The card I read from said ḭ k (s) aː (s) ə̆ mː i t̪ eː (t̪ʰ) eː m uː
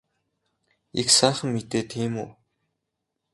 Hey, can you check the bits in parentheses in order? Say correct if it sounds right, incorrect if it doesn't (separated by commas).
correct, incorrect, correct